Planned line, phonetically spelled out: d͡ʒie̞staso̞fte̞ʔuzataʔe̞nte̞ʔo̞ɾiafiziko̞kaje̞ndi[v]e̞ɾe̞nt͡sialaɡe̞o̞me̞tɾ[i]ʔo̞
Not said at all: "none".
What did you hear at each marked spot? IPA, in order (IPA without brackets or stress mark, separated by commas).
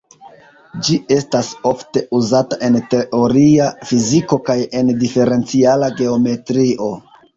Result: f, i